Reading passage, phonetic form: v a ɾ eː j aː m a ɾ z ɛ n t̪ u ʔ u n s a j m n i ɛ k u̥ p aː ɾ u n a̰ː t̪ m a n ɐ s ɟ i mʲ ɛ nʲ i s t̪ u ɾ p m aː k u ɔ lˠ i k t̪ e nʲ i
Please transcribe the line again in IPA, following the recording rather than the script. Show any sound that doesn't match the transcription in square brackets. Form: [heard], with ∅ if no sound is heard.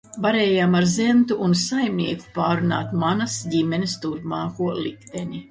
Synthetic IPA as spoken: v a ɾ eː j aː m a ɾ z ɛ n t̪ u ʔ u n s a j m n i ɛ k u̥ p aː ɾ u n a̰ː t̪ m a n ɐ s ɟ i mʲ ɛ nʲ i s t̪ u ɾ p m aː k u ɔ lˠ i k t̪ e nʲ i